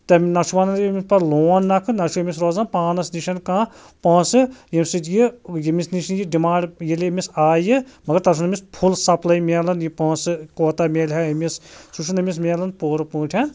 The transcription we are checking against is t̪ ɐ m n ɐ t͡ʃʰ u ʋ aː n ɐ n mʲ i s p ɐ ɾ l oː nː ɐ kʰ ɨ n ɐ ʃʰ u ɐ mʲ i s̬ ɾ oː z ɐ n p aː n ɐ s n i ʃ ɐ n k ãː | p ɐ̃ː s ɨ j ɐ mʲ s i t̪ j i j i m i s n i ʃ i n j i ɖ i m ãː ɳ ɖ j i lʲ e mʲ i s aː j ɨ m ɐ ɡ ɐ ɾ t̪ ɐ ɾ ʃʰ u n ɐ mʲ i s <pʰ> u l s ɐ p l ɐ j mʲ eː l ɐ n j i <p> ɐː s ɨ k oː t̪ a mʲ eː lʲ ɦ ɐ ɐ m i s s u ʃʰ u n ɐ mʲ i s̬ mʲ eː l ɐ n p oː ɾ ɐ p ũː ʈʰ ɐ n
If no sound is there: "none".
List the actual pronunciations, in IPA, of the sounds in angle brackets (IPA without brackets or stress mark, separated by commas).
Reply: pʰ, p